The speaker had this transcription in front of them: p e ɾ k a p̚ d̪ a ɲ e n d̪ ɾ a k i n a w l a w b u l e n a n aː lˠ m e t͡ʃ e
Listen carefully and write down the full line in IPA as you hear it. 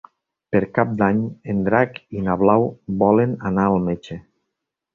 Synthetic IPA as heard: p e ɾ k a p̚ d̪ a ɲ e n d̪ ɾ a k i n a β l a w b ɔ l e n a n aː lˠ m e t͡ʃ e